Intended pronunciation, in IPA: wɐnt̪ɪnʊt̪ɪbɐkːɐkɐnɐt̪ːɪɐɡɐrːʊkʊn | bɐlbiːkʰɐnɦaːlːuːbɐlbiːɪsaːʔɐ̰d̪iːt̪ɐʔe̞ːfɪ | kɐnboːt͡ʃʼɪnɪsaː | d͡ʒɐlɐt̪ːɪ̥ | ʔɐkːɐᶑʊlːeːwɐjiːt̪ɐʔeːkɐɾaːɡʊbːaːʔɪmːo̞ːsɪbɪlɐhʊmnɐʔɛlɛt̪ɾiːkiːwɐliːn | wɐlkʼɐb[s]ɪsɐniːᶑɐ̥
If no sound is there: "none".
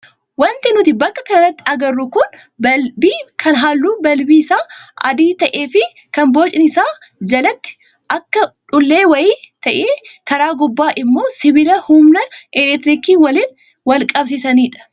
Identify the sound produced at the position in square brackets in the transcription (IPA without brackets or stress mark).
s